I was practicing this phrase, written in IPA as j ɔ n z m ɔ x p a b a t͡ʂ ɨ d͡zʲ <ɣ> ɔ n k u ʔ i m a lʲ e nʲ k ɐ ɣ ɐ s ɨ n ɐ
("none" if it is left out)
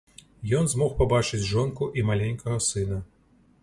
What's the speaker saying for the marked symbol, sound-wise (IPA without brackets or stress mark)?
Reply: ʐ